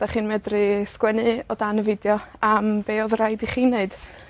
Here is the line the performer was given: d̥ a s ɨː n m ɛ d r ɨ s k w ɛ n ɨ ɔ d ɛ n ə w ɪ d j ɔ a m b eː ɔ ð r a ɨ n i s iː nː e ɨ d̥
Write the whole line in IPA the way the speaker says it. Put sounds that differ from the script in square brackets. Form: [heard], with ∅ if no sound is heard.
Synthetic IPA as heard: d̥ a [χ] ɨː n m ɛ d r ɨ s k w ɛ n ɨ ɔ d [a] n ə [v] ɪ d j ɔ a m b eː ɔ ð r a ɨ [d] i [χ] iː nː e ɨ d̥